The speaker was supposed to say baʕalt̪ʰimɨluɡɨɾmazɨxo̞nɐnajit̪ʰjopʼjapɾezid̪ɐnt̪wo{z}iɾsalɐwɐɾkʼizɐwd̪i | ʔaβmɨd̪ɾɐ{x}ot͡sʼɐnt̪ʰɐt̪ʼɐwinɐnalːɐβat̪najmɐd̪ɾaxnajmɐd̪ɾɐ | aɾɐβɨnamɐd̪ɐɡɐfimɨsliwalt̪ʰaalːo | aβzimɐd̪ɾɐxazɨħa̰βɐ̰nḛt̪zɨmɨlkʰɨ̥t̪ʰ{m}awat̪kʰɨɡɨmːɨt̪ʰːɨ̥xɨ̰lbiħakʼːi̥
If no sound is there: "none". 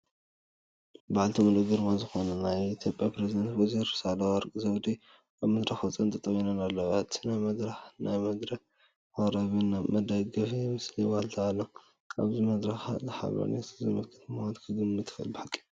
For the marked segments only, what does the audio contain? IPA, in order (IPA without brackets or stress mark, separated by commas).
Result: z, x, m